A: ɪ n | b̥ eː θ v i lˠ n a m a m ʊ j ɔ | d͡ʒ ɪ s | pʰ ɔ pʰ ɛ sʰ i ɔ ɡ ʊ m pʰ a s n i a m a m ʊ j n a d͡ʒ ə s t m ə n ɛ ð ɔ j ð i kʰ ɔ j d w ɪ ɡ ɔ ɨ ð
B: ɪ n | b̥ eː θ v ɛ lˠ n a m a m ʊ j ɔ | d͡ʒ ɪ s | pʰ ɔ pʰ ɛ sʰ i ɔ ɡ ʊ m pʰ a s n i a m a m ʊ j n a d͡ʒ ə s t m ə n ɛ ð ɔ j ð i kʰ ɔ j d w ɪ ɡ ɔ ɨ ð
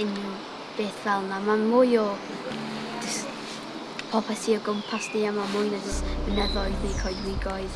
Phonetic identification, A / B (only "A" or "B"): B